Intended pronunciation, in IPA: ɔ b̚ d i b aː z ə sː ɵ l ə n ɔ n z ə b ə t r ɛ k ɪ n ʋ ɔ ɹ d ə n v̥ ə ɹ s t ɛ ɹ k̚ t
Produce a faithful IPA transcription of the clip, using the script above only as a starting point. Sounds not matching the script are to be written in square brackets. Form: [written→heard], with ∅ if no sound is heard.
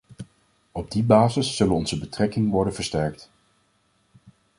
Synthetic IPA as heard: ɔ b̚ d i b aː z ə sː ɵ l ə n ɔ n z ə b ə t r ɛ k ɪ [n→ŋ] ʋ ɔ ɹ d ə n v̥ ə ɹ s t ɛ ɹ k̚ t